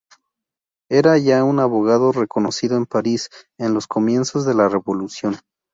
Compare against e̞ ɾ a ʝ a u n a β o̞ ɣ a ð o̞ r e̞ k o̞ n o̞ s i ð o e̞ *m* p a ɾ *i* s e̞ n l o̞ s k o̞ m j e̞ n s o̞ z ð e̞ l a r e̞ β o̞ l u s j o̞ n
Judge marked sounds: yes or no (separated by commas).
yes, yes